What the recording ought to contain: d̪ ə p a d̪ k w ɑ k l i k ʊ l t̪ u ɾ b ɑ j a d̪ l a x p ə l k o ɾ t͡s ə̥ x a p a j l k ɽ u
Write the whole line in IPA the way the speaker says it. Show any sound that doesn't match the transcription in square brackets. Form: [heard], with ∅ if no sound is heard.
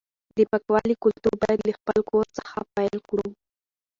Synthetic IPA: d̪ ə p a [∅] k w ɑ [∅] l i k ʊ l t̪ u ɾ b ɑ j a d̪ l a x p ə l k o ɾ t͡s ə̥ x a p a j l k ɽ u